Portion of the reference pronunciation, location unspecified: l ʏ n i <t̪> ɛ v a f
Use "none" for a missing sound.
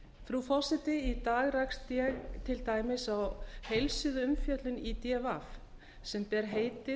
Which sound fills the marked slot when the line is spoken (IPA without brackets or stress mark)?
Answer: t̪